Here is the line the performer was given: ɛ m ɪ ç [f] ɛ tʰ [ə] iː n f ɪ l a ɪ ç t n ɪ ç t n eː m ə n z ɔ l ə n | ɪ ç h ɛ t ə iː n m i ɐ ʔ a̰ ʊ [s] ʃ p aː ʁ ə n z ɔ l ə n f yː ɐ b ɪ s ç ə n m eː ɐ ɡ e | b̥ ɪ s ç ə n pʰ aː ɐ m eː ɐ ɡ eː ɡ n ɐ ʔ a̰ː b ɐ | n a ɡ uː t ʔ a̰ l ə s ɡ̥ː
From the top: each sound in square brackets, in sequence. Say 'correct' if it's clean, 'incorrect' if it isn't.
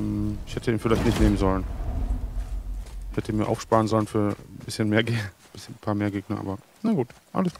incorrect: h, correct, incorrect: f

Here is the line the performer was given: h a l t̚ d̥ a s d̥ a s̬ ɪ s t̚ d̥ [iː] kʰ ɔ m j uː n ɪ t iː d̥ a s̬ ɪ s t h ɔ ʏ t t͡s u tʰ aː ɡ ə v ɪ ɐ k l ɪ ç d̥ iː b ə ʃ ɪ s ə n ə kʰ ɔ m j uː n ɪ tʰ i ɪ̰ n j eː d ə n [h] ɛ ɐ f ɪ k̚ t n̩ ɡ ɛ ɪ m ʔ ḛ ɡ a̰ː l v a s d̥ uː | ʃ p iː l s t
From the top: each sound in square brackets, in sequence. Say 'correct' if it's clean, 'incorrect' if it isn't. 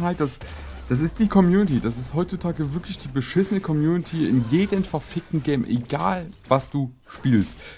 correct, incorrect: f

